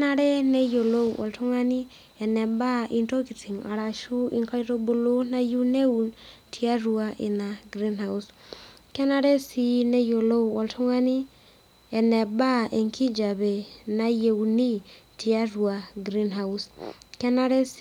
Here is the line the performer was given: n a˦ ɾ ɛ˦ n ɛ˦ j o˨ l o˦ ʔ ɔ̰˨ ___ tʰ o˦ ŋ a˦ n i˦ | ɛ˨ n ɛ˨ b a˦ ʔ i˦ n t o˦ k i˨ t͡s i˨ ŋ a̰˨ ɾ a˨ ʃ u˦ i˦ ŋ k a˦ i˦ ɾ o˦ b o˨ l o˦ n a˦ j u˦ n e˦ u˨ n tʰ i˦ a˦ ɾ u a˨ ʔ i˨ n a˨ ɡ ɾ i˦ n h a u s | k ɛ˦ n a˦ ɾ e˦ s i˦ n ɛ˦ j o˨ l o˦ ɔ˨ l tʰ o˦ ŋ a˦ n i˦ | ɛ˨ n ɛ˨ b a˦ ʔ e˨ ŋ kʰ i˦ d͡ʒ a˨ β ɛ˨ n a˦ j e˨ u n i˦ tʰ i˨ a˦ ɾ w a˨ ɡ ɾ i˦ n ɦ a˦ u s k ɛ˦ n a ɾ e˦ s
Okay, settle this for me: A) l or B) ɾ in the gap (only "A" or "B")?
A